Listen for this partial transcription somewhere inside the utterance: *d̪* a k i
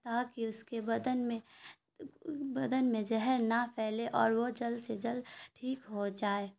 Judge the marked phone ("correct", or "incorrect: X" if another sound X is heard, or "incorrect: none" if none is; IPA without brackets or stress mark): incorrect: t̪